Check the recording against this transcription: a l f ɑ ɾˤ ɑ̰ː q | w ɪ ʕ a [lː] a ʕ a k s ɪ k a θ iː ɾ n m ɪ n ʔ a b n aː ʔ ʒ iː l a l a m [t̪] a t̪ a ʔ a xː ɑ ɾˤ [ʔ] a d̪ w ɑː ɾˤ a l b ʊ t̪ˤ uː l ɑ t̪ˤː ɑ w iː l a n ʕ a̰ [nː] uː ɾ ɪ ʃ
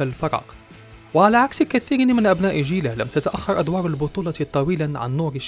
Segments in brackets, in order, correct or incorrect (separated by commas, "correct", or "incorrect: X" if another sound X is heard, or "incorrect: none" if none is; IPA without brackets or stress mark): incorrect: l, correct, correct, correct